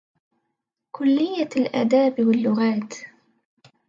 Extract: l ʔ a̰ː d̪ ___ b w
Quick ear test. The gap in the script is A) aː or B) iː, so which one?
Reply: A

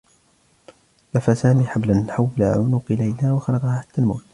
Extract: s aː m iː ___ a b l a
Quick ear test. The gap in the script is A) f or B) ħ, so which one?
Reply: B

